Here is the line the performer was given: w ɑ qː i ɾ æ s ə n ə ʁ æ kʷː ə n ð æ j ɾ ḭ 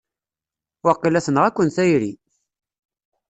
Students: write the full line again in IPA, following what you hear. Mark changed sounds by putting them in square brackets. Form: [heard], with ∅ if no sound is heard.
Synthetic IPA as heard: w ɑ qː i [l] æ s ə n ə ʁ æ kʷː ə n [θ] æ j ɾ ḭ